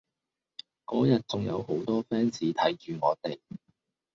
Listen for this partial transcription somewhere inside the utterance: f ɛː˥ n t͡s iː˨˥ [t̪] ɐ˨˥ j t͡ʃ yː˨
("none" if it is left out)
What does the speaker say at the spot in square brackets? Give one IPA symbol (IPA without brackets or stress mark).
t̪ʰ